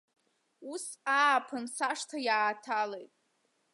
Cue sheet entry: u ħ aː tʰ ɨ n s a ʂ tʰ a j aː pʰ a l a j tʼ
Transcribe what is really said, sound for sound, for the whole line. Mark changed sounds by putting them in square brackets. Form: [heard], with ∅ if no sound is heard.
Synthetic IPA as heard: u [s] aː [pʰ] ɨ n s a ʂ tʰ a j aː [tʰ] a l [e] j tʼ

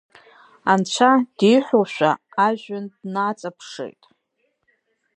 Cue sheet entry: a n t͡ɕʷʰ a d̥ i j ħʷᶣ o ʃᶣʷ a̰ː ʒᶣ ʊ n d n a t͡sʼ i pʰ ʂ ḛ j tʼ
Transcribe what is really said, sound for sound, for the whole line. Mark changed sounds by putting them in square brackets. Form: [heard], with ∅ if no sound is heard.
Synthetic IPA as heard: a n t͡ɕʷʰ a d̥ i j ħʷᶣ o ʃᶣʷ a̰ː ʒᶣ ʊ n d n a t͡sʼ [a] pʰ ʂ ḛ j tʼ

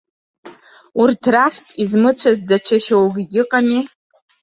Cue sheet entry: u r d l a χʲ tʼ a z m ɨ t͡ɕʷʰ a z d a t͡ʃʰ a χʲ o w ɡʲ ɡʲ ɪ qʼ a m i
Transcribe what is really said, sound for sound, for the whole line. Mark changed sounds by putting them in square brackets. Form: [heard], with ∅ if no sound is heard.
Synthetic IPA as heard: u r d [r] a χʲ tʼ [i] z m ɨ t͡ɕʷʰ a z d a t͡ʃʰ a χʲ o w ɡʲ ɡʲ ɪ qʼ a m i

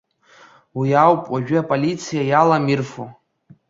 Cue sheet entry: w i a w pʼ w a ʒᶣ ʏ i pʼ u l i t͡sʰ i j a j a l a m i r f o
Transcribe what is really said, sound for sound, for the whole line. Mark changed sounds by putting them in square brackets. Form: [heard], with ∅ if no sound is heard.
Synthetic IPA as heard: w i a w pʼ w a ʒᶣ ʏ [a] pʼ [o] l i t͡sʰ i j a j a l a m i r f o

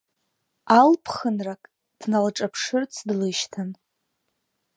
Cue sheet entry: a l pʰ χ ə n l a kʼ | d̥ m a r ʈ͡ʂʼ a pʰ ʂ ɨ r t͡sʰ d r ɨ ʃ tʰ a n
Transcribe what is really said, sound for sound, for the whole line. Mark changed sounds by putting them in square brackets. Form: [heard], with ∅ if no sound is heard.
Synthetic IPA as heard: a l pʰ χ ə n [r] a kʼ | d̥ [n] a [l] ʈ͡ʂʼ a pʰ ʂ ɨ r t͡sʰ d [l] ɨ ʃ tʰ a n

